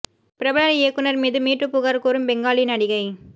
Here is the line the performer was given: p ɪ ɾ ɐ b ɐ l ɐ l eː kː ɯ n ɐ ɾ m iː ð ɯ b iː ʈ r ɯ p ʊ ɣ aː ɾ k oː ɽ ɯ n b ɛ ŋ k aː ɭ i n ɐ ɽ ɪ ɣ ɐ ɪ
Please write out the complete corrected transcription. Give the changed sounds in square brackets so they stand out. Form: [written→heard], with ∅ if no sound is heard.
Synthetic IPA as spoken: p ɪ ɾ ɐ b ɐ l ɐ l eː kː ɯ n ɐ ɾ m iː ð ɯ [b→m] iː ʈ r ɯ p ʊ ɣ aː ɾ k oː [ɽ→ɾ] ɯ [n→m] b ɛ ŋ [k→ɡ] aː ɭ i n ɐ ɽ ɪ ɣ ɐ ɪ